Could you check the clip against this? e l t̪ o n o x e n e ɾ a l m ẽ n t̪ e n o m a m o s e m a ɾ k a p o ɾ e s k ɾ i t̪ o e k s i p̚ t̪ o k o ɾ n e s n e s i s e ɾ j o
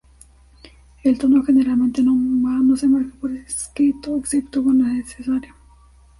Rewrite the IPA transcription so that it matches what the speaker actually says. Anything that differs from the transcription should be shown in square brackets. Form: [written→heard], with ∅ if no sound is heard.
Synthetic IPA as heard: e l t̪ o n o x e n e ɾ a l m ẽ n t̪ e n o m a [m→n] o s e m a ɾ k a p o ɾ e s k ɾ i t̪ o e k s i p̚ t̪ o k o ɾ n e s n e s [i→e] s [e→a] ɾ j o